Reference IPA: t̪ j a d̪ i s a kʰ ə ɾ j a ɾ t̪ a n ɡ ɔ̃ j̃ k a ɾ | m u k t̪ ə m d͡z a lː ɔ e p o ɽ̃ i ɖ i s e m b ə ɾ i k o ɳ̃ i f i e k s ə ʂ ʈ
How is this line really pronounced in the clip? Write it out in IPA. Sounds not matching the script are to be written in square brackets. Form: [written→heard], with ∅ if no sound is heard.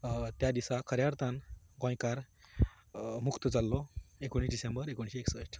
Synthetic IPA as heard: t̪ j a d̪ i s a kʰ ə ɾ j a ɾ t̪ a n ɡ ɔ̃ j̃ k a ɾ | m u k t̪ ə [m→∅] d͡z a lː ɔ e [p→k] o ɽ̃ i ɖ i s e m b ə ɾ [i→e] k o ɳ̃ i [f→ɕ] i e k s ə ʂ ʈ

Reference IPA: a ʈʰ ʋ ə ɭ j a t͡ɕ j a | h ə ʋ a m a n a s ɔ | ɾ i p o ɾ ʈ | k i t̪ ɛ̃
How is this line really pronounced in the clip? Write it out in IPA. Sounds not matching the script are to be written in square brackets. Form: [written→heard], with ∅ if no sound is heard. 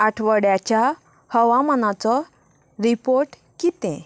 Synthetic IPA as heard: a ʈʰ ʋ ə [ɭ→ɽ] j a t͡ɕ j a | h ə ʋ a m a n a [s→t͡s] ɔ | ɾ i p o ɾ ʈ | k i t̪ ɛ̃

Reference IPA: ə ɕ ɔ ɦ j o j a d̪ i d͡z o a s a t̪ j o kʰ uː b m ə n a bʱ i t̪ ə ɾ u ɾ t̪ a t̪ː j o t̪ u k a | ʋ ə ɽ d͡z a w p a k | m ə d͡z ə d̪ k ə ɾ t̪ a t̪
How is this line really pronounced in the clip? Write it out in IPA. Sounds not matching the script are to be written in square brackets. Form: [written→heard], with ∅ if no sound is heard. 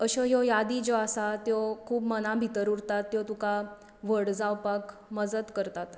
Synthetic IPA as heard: ə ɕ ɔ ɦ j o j a d̪ i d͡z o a s a t̪ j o kʰ uː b m ə n a bʱ i t̪ ə ɾ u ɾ t̪ a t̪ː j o t̪ u k a | ʋ ə ɽ d͡z a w p a k | m ə d͡z ə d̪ k ə ɾ t̪ a t̪

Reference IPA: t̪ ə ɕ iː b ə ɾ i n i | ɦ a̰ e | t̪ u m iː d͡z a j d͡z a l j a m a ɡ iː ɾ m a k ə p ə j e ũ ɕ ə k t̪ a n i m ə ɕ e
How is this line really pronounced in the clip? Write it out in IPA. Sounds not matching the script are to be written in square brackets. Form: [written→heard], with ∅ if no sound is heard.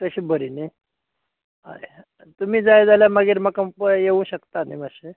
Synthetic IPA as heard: t̪ ə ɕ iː b ə ɾ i n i | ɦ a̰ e | t̪ u m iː d͡z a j d͡z a l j a m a ɡ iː ɾ m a k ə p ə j e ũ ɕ ə k t̪ a n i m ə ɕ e

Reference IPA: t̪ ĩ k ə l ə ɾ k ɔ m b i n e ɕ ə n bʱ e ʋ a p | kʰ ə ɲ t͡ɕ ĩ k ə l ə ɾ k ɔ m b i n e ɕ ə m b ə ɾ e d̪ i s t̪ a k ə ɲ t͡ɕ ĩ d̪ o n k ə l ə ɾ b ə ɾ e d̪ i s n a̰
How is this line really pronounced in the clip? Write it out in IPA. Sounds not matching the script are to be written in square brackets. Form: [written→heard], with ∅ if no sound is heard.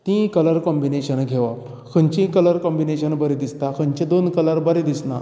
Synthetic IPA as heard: t̪ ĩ k ə l ə ɾ k ɔ m b i n e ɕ ə n [bʱ→ɡʱ] e ʋ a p | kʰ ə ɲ t͡ɕ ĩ k ə l ə ɾ k ɔ m b i n e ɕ ə [m→n] b ə ɾ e d̪ i s t̪ a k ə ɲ t͡ɕ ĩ d̪ o n k ə l ə ɾ b ə ɾ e d̪ i s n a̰

